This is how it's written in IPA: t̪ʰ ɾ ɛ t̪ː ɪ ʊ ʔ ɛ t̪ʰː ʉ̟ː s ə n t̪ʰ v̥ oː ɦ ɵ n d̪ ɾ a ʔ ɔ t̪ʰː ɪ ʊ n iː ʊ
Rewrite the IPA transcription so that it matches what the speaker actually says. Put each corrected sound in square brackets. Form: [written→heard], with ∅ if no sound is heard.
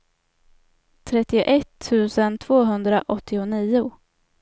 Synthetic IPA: t̪ʰ ɾ ɛ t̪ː ɪ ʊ ʔ ɛ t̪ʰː ʉ̟ː s ə n t̪ʰ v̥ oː ɦ ɵ n d̪ ɾ a ʔ ɔ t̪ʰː ɪ ʊ n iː ʊ